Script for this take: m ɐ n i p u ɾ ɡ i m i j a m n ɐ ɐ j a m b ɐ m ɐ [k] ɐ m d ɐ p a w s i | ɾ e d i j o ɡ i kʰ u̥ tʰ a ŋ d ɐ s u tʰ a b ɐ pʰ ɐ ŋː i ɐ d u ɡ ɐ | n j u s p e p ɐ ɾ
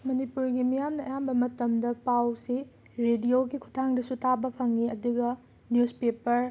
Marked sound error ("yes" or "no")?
yes